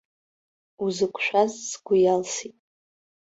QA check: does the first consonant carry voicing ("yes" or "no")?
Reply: yes